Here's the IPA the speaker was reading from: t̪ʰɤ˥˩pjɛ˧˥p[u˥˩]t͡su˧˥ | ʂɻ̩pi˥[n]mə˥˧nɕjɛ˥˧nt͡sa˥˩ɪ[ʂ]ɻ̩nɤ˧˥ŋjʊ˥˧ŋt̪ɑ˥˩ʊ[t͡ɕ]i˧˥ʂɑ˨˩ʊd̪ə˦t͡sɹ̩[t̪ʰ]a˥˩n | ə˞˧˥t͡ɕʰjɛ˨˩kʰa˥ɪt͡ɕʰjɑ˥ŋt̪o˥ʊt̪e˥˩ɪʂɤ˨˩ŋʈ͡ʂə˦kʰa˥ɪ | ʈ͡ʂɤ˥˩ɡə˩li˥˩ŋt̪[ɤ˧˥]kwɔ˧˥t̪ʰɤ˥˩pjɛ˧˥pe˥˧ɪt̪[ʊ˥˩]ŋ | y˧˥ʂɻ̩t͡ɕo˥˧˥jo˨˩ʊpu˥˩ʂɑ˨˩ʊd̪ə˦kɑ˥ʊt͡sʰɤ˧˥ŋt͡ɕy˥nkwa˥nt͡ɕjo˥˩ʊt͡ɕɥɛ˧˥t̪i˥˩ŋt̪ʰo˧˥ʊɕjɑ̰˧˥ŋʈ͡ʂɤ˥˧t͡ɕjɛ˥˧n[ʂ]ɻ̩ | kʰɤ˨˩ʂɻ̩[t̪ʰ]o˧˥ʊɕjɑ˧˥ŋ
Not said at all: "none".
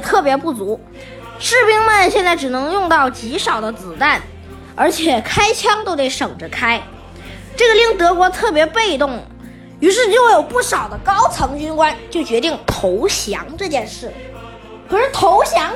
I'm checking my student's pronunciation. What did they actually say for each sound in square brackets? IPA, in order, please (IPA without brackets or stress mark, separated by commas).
u˥˩, ŋ, ʈ͡ʂ, t͡ɕ, t̪, ɤ˧˥, ʊ˥˩, ʂ, t̪ʰ